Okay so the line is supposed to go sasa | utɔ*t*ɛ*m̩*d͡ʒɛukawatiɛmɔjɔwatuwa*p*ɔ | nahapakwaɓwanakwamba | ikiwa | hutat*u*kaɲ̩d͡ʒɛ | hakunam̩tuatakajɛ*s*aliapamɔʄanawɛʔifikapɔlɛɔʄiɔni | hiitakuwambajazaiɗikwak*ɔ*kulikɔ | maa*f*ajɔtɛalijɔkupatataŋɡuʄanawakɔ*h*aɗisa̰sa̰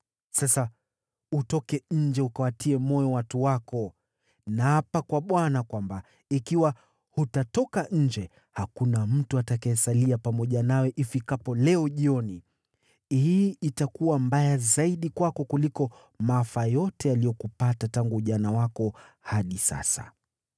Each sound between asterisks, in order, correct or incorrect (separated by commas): incorrect, incorrect, incorrect, incorrect, correct, correct, correct, correct